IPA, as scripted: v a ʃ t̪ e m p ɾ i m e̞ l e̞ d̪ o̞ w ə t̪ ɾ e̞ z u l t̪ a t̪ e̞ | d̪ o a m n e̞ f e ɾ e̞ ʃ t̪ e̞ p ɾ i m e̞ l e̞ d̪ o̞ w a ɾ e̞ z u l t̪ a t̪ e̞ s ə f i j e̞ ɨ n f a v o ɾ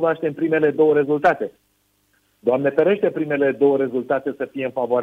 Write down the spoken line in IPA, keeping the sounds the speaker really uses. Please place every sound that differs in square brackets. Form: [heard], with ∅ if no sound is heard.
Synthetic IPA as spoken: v a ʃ t̪ e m p ɾ i m e̞ l e̞ d̪ o̞ w ə [∅] ɾ e̞ z u l t̪ a t̪ e̞ | d̪ o a m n e̞ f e ɾ e̞ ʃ t̪ e̞ p ɾ i m e̞ l e̞ d̪ o̞ w [ə] ɾ e̞ z u l t̪ a t̪ e̞ s ə f i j e̞ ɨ n f a v o ɾ